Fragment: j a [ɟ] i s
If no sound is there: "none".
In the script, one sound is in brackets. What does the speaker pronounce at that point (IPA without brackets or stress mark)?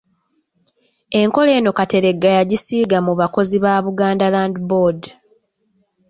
ɟ